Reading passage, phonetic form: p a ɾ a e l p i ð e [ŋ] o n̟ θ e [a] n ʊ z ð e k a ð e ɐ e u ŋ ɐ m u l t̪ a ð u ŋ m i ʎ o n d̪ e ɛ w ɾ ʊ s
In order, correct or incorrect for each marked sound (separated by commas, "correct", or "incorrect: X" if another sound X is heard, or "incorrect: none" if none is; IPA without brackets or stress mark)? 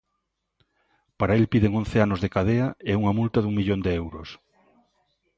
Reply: correct, correct